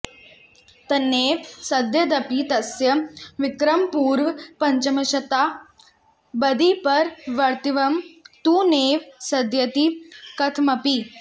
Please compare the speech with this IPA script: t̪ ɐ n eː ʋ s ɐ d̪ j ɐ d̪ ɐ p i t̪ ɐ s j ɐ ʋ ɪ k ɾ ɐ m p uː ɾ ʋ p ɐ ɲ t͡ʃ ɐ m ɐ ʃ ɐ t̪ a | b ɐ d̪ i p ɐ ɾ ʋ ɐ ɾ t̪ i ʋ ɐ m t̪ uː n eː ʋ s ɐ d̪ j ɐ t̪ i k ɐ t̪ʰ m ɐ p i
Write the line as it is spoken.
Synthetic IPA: t̪ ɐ n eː ʋ s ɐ d̪ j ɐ d̪ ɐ p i t̪ ɐ s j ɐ ʋ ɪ k ɾ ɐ m p uː ɾ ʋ p ɐ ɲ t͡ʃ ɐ m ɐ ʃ ɐ t̪ a | b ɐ d̪ i p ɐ ɾ ʋ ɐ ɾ t̪ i ʋ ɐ m t̪ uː n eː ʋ s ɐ d̪ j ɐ t̪ i k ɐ t̪ʰ m ɐ p i